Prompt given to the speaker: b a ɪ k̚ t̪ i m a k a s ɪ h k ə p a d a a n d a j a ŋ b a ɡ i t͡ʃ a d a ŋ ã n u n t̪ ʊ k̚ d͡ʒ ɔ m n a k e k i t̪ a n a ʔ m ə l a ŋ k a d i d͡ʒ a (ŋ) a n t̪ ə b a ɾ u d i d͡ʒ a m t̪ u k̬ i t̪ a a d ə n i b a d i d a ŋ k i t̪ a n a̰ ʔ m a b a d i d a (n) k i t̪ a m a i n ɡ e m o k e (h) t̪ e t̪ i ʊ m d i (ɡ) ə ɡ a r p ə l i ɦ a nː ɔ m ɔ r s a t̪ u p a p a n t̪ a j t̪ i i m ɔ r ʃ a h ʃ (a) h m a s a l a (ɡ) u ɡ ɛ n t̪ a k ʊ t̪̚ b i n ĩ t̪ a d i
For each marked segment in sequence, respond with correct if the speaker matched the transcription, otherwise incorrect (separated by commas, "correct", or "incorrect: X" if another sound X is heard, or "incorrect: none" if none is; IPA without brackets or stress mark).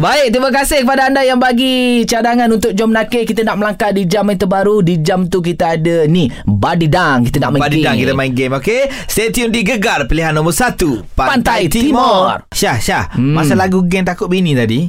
incorrect: m, incorrect: ŋ, incorrect: s, correct, correct, correct